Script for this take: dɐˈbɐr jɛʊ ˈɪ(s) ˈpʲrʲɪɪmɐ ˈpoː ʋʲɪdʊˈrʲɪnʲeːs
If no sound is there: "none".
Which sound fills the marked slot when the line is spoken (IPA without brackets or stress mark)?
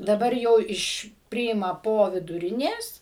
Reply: ʃ